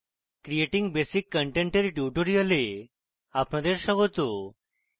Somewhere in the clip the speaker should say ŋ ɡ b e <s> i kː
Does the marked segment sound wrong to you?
no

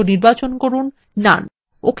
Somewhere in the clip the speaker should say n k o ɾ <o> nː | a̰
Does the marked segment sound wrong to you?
yes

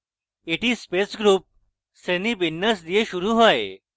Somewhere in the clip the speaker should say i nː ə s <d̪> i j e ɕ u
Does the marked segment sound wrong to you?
no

